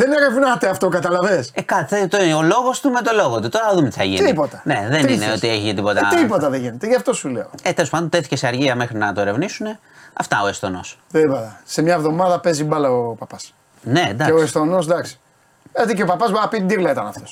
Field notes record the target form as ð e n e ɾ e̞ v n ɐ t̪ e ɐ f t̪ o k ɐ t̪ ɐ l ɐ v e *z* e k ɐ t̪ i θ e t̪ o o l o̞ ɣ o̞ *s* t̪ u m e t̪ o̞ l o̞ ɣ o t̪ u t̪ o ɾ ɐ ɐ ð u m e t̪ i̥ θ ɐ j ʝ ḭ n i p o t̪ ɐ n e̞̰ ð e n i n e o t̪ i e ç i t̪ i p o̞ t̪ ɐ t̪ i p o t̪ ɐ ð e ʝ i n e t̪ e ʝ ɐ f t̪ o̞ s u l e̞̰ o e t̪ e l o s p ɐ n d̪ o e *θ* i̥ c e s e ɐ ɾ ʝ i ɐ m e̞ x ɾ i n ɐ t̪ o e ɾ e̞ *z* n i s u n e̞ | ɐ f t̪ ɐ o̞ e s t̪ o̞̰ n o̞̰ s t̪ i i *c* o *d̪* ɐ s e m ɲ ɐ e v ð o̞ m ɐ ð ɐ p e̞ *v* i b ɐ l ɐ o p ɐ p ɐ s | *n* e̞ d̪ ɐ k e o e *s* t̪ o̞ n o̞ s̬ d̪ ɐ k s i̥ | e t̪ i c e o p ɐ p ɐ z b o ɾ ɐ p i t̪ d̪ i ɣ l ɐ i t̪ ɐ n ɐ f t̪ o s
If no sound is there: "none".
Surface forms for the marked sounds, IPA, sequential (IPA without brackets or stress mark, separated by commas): s, s, θ, v, p, t̪, z, n, s